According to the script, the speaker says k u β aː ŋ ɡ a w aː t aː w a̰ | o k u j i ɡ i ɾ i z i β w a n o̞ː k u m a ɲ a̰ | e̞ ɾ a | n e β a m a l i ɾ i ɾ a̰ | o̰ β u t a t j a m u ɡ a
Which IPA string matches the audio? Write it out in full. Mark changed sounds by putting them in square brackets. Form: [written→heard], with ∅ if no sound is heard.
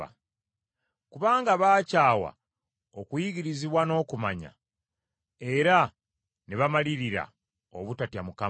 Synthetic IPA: k u β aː ŋ ɡ a [w→β] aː [t→c] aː w a̰ | o k u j i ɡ i ɾ i z i β w a n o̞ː k u m a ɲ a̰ | e̞ ɾ a | n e β a m a l i ɾ i ɾ a̰ | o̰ β u t a t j a m u [ɡ→k] a